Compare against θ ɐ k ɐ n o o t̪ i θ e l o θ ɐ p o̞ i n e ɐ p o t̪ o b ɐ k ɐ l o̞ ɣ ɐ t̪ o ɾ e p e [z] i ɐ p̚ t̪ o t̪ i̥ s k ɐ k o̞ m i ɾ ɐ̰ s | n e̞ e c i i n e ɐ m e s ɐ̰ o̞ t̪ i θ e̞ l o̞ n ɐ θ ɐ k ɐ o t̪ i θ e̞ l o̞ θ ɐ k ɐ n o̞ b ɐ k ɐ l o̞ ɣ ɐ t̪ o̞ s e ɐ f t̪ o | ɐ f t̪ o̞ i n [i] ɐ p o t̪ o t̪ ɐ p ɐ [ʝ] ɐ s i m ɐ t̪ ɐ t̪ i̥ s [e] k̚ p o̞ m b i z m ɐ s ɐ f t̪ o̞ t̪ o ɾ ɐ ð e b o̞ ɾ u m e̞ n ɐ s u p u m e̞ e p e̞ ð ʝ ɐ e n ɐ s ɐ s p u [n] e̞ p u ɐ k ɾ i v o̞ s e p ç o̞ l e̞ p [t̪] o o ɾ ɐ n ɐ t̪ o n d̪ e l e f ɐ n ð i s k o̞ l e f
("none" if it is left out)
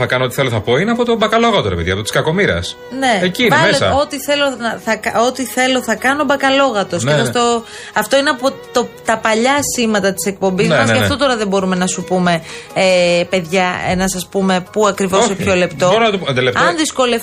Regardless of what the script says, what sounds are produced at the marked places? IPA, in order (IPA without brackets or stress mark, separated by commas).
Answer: ð, e, ʎ, e, m, t̪